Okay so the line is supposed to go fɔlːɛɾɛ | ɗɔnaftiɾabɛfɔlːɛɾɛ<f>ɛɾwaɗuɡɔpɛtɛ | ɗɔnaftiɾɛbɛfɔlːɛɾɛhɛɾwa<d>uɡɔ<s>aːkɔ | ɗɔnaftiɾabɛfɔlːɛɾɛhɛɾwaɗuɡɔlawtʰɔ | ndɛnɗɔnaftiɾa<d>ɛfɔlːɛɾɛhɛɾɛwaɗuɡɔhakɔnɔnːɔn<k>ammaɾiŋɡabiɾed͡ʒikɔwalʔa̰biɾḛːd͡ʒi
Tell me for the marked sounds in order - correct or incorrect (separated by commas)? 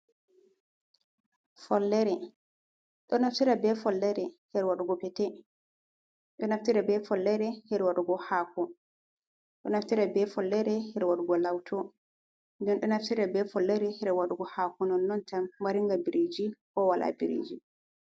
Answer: incorrect, incorrect, incorrect, incorrect, incorrect